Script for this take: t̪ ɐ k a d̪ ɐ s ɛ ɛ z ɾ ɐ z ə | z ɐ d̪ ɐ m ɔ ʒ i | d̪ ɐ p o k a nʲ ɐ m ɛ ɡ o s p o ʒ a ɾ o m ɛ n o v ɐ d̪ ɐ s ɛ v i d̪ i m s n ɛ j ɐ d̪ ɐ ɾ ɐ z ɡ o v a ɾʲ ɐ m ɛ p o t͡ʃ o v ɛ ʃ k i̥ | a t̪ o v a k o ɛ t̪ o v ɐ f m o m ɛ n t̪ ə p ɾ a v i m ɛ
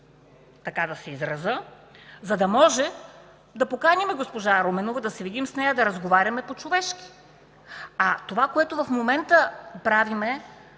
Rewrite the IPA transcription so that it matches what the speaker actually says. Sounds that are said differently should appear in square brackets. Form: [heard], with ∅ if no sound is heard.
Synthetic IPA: t̪ ɐ k a d̪ ɐ s ɛ [i] z ɾ ɐ z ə | z ɐ d̪ ɐ m ɔ ʒ [ɛ] | d̪ ɐ p o k a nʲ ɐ m ɛ ɡ o s p o ʒ a ɾ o m ɛ n o v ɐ d̪ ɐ s ɛ v i d̪ i m s n ɛ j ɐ d̪ ɐ ɾ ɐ z ɡ o v a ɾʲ ɐ m ɛ p o t͡ʃ o v ɛ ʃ k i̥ | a t̪ o v a k o ɛ t̪ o v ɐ f m o m ɛ n t̪ ə p ɾ a v i m ɛ